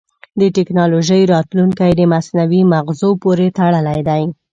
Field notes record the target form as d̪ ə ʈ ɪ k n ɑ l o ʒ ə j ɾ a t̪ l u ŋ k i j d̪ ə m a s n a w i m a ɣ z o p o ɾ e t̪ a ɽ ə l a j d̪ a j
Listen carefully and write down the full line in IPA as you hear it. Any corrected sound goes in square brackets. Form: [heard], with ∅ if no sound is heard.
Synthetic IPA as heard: d̪ ə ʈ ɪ k n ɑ l o ʒ ə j ɾ [ɑ] t̪ l u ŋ k [a] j d̪ ə m a s n a w i m a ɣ z o p o ɾ e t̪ a ɽ ə l a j d̪ a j